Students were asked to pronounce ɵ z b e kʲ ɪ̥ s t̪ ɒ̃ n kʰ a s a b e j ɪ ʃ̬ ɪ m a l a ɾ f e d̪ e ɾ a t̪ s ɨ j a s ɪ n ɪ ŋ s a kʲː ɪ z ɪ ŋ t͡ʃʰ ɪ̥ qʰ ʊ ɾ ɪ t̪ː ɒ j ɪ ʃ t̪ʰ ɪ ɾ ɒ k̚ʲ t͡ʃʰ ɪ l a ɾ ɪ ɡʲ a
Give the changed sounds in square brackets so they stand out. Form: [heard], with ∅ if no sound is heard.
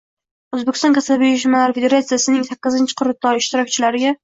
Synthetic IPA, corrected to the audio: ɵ z b e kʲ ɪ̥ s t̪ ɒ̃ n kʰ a s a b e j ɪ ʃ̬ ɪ m a l a ɾ f e d̪ e ɾ a t̪ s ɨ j a s ɪ n ɪ ŋ s a kʲː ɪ z ɪ [n] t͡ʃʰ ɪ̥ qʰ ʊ ɾ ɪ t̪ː ɒ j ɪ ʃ [t̪] ɪ ɾ ɒ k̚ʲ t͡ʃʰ ɪ l a ɾ ɪ ɡʲ a